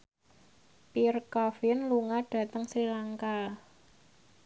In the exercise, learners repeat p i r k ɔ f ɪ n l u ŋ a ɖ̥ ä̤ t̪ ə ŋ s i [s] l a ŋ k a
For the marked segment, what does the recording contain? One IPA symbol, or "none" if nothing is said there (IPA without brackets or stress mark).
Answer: none